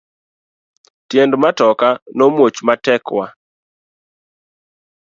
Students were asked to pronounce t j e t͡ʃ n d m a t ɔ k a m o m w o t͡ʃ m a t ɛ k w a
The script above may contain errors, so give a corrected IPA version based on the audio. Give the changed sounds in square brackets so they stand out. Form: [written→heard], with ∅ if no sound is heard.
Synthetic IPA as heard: t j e [t͡ʃ→∅] n d m a t ɔ k a [m→n] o m w o t͡ʃ m a t ɛ k w a